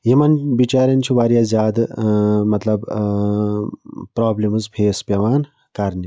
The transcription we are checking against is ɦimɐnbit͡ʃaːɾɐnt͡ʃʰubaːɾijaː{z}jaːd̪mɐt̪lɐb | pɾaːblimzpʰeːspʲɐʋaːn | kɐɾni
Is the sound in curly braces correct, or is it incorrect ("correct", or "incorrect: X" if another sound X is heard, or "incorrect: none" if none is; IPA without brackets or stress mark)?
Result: correct